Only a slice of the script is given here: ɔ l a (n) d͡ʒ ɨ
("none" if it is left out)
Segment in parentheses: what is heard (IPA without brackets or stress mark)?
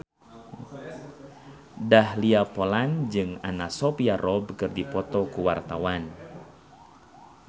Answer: n